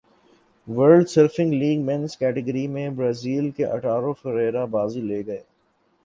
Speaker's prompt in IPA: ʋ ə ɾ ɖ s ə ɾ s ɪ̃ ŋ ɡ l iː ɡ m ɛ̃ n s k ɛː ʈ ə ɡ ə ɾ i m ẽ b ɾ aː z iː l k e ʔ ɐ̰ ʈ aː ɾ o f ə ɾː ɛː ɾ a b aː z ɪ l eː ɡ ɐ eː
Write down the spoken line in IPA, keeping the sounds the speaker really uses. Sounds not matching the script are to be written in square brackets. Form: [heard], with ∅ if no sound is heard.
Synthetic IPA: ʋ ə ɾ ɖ s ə ɾ [f] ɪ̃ ŋ ɡ l iː ɡ m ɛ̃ n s k ɛː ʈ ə ɡ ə ɾ i m ẽ b ɾ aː z iː l k e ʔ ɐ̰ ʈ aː ɾ o f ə [ɾ] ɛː ɾ a b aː z [i] l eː ɡ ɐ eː